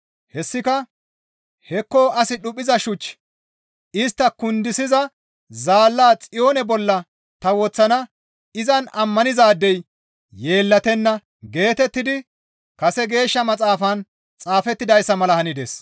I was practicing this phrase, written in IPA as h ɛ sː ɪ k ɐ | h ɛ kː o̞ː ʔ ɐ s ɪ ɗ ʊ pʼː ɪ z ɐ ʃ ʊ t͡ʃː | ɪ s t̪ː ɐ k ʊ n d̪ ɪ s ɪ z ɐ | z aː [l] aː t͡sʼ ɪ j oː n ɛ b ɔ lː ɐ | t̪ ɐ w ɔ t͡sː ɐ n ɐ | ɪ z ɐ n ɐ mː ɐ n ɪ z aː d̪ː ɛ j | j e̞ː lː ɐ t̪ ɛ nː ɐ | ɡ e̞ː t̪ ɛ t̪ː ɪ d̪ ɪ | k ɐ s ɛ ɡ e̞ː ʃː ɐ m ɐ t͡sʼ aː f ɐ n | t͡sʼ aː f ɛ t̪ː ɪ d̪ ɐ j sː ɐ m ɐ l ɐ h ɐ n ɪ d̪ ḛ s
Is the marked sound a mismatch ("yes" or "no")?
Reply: yes